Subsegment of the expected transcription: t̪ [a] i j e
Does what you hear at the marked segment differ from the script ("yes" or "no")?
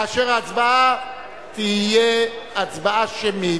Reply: yes